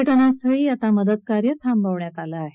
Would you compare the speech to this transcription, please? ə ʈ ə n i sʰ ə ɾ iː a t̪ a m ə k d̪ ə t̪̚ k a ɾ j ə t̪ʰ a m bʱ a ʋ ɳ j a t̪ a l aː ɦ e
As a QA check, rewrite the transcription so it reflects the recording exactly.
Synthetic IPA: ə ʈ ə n a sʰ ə ɭ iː a t̪ a m ə d̪ ə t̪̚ k a ɾ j ə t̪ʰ a m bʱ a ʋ ɳ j a t̪ a l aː ɦ e